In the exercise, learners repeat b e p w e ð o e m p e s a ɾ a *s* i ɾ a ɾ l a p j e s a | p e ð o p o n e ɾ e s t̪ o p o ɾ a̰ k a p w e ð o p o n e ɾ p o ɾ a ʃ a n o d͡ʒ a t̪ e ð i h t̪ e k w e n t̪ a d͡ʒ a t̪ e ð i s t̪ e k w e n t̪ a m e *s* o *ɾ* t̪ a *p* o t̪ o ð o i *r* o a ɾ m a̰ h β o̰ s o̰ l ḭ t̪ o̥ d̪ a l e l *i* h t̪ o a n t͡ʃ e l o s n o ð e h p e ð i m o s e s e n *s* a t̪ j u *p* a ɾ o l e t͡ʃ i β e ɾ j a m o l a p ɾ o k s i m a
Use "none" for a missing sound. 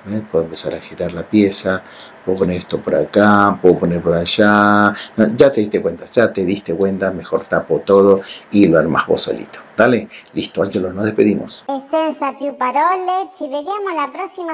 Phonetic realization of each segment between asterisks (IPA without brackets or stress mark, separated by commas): x, x, ɾ, p, l, i, s, p